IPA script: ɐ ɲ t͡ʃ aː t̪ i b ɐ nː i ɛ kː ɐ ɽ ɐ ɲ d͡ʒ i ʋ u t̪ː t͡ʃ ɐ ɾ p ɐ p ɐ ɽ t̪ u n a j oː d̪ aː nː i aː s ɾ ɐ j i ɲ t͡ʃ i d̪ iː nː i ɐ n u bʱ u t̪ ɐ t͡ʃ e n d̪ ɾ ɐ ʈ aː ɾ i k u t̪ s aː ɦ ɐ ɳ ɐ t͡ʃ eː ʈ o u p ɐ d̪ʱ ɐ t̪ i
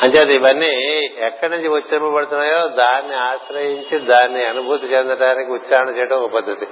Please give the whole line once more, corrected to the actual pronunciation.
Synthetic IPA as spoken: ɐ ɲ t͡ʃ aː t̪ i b ɐ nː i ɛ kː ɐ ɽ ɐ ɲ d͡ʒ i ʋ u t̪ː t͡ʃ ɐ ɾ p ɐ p ɐ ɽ t̪ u n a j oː d̪ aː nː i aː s ɾ ɐ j i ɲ t͡ʃ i d̪ aː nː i ɐ n u bʱ u t̪ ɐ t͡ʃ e n d̪ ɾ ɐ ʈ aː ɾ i k u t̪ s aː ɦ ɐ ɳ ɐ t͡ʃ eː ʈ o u p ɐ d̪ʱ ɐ t̪ i